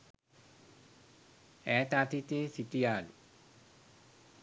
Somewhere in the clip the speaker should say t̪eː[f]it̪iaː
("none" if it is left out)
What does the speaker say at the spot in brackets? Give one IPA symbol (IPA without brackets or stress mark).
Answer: s